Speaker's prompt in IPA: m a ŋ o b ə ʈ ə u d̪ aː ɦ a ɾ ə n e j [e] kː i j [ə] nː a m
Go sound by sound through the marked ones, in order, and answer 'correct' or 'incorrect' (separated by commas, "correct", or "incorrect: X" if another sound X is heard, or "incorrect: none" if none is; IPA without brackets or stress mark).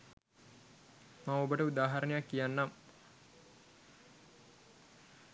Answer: incorrect: a, incorrect: a